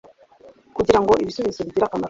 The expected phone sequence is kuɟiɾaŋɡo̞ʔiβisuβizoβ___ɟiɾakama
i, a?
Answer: i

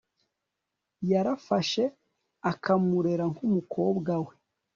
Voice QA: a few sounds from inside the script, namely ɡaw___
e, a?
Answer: e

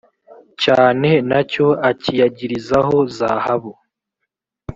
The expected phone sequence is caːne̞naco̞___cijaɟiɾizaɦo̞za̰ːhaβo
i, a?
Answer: a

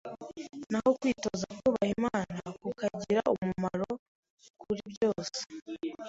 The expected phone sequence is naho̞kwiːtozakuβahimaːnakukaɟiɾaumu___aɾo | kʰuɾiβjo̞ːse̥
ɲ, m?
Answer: m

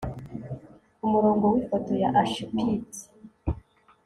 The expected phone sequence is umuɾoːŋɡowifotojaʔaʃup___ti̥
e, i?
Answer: i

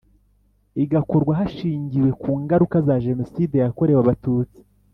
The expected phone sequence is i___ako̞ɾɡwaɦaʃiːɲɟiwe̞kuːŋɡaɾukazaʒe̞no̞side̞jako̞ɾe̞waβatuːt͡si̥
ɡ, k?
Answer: ɡ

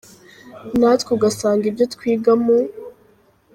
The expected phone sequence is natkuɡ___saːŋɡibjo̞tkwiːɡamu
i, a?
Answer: a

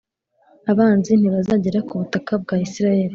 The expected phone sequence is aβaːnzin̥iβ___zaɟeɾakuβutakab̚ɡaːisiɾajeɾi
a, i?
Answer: a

